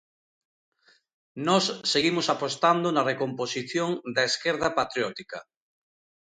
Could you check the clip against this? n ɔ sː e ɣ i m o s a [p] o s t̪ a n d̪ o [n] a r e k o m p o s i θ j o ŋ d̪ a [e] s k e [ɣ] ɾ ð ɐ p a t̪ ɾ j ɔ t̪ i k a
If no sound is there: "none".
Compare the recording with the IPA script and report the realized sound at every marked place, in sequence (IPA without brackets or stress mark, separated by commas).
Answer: p, n, e, none